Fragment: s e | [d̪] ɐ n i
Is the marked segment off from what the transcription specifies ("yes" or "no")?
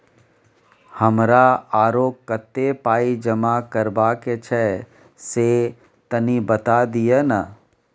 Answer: yes